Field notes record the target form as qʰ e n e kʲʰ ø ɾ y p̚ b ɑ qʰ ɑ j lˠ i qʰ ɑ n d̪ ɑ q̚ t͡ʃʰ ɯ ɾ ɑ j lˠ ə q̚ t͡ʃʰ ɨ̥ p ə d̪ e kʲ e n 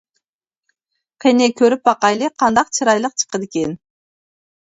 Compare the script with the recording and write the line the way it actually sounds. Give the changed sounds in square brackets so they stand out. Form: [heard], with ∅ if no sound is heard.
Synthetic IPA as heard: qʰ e n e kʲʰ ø ɾ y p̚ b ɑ [q] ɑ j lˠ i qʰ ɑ n d̪ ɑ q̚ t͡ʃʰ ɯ ɾ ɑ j lˠ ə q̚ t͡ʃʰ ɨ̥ [q] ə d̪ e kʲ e n